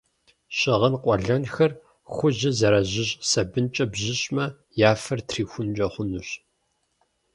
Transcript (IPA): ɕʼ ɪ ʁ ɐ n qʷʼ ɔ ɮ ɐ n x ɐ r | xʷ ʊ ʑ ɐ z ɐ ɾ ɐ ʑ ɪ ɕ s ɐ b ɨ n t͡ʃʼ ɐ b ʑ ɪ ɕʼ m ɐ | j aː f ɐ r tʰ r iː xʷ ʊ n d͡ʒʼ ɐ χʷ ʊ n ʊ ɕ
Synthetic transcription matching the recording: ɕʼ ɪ ʁ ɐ n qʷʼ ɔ ɮ ɐ n x ɐ r | xʷ ʊ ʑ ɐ z ɐ ɾ ɐ ʑ ɪ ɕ s ɐ b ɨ n t͡ʃʼ ɐ b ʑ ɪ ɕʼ m ɐ | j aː f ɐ r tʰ r iː xʷ ʊ n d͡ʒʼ ɐ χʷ ʊ n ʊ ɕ